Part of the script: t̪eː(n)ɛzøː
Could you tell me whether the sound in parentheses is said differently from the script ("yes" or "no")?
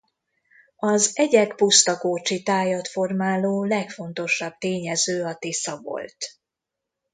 yes